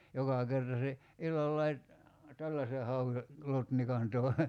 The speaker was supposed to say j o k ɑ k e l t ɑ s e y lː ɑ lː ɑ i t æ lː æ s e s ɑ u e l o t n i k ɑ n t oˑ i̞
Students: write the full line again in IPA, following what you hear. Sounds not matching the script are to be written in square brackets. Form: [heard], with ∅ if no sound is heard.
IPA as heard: j o k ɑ k e [r] t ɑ s e [i] lː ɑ lː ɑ i t æ lː æ s e [h] ɑ u e l o t n i k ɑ n t oˑ i̞